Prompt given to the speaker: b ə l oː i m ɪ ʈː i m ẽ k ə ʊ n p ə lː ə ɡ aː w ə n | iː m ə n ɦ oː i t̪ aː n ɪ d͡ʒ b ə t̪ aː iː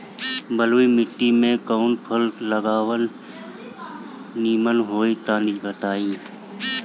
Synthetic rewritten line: b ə l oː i m ɪ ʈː i m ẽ k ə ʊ n pʰ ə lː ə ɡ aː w ə n | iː m ə n ɦ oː i t̪ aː n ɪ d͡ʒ b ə t̪ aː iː